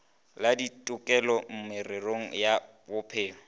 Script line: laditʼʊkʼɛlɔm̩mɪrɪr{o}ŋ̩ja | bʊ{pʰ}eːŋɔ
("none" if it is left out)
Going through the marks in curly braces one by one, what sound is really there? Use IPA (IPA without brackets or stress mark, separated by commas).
o, pʰ